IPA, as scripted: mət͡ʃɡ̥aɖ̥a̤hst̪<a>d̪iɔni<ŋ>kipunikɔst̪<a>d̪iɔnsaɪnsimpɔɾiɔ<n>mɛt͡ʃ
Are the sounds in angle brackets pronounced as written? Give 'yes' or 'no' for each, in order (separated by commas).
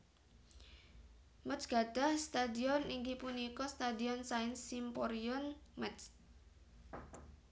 yes, yes, yes, yes